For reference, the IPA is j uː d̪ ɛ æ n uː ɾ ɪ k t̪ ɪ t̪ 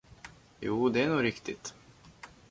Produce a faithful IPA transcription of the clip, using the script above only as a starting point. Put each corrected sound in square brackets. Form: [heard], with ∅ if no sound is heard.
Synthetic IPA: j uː d̪ ɛ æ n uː ɾ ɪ k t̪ ɪ t̪